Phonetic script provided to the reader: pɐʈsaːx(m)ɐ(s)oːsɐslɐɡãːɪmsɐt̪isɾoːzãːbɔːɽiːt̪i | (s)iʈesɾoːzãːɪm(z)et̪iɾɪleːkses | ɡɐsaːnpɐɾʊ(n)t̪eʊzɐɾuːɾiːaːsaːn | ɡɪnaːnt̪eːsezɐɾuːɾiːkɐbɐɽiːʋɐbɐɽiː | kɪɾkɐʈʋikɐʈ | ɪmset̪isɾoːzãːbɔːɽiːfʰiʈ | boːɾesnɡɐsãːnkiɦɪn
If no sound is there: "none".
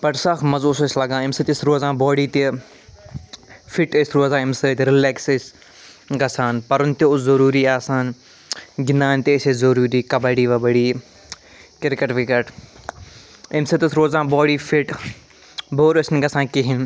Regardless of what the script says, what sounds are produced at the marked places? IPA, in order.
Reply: m, z, f, s, n

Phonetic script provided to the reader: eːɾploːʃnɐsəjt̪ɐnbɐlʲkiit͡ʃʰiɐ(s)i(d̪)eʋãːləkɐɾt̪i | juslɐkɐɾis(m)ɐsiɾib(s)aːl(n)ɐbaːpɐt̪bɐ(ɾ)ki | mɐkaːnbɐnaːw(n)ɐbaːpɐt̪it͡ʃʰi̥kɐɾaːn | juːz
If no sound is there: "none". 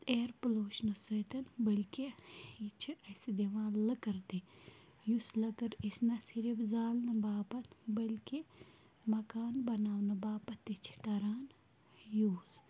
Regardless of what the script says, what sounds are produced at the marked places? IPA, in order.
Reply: s, d̪, n, z, n, l, n

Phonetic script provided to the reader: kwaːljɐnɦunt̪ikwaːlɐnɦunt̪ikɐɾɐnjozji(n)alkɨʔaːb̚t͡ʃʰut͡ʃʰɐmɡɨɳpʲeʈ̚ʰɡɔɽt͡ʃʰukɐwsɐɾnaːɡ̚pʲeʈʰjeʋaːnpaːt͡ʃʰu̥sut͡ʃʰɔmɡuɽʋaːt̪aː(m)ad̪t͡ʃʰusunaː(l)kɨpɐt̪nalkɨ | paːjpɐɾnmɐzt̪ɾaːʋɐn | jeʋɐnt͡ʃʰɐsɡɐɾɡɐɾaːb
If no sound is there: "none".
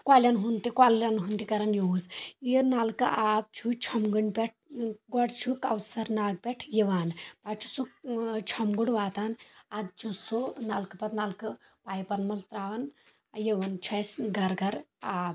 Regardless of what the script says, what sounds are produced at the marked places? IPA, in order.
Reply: n, n, l

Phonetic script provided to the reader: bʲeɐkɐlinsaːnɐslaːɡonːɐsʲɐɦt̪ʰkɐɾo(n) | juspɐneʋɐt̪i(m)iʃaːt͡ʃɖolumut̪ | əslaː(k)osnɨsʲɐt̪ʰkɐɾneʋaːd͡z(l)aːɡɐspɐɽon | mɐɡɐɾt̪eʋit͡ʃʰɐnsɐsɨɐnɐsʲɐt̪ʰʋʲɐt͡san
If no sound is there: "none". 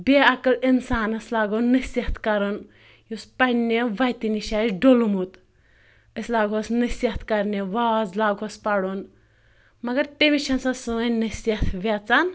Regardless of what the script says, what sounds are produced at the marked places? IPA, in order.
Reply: n, n, ɡ, l

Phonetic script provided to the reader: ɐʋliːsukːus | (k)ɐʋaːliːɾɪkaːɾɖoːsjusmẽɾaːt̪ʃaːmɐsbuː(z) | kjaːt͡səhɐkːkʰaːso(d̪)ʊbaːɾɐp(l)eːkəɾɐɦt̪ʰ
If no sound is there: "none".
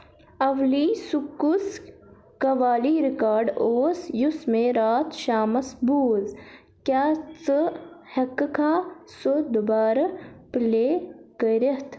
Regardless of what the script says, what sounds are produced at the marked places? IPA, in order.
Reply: k, z, d̪, l

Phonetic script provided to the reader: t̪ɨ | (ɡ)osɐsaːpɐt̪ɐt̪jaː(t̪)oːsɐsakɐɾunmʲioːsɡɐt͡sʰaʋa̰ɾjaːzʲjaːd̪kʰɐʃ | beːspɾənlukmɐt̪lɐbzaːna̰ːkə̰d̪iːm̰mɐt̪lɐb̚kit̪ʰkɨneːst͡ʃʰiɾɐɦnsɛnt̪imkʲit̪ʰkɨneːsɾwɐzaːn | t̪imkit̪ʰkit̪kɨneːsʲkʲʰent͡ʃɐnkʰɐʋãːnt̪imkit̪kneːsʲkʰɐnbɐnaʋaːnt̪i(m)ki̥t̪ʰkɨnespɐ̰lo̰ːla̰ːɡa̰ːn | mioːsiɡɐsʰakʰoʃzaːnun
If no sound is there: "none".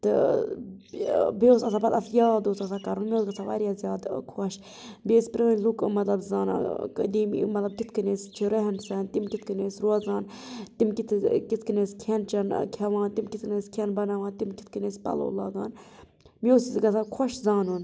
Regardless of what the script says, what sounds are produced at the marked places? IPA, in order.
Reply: b, d̪, m

